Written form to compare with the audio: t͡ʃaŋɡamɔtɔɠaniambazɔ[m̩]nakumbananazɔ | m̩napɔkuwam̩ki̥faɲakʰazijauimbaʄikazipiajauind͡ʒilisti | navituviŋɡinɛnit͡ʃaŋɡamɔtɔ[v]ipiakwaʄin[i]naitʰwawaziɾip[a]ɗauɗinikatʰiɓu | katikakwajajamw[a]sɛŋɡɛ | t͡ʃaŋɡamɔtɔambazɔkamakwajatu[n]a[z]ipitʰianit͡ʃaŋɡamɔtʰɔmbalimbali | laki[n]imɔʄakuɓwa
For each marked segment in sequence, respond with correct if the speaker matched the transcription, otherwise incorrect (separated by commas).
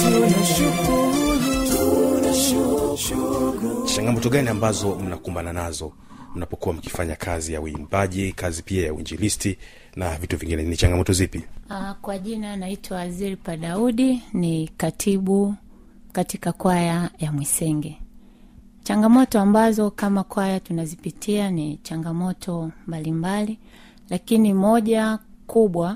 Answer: correct, incorrect, incorrect, correct, incorrect, correct, correct, correct